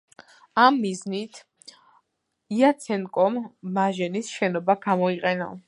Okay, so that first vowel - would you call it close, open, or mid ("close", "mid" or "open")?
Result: open